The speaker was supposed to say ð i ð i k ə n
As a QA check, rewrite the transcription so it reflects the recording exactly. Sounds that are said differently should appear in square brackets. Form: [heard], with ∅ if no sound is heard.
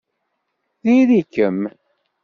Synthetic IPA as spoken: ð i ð i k ə [m]